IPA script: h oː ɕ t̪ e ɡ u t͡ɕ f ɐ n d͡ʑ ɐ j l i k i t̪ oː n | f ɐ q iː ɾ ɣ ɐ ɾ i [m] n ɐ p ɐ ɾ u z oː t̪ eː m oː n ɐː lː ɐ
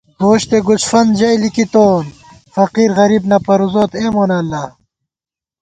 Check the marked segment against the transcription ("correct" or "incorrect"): incorrect